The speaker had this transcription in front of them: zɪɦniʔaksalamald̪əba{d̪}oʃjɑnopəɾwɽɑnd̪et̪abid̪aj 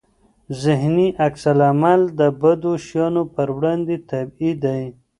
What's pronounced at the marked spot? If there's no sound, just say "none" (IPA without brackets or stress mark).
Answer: d̪